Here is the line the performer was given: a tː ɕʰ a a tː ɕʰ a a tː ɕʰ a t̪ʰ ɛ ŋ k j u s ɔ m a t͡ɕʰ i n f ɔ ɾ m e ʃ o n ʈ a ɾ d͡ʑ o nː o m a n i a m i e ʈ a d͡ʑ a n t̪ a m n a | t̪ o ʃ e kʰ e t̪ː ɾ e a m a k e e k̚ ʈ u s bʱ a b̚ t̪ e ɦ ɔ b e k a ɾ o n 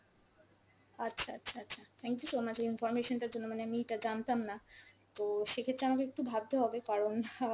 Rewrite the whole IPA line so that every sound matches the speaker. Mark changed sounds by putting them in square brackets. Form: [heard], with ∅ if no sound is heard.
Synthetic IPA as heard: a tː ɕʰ a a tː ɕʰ a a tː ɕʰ a t̪ʰ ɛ ŋ k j u s [o] m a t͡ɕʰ i n f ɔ ɾ m e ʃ o n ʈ a ɾ d͡ʑ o nː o m a n [e] a m i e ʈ a d͡ʑ a n t̪ a m n a | t̪ o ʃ e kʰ e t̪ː ɾ e a m a k e e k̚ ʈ u [∅] bʱ a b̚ t̪ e ɦ ɔ b e k a ɾ o n